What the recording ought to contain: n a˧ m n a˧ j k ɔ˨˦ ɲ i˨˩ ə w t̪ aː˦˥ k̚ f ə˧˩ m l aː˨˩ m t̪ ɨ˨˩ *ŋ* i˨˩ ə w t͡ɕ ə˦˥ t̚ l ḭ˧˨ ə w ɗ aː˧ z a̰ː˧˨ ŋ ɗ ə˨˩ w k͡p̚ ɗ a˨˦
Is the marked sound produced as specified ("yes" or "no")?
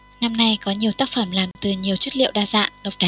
no